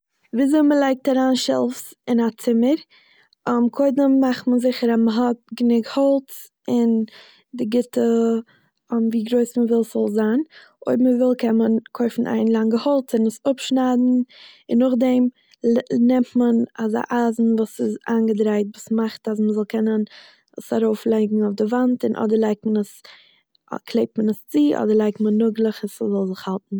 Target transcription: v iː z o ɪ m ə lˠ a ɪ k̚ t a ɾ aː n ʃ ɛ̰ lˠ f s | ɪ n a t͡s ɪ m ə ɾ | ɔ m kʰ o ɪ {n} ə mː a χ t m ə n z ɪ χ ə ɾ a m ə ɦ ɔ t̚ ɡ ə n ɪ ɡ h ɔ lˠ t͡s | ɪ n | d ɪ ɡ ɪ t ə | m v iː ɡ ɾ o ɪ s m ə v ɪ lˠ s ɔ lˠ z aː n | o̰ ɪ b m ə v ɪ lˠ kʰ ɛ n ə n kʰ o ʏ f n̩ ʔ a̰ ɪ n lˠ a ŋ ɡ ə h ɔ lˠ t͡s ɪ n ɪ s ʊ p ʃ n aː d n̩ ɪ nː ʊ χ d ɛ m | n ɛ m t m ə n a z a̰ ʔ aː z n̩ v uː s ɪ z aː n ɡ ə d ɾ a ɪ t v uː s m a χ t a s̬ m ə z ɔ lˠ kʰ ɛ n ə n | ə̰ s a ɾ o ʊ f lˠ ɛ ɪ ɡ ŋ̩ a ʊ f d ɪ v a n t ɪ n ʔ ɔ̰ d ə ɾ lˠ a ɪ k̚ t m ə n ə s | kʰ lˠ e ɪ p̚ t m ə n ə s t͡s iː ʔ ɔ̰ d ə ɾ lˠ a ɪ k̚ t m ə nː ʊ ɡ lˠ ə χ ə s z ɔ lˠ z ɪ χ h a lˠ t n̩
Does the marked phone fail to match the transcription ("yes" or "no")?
yes